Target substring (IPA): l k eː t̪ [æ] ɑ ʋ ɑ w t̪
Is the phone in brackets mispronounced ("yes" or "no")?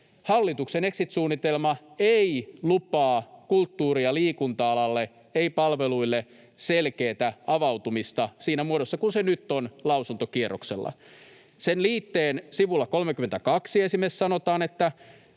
no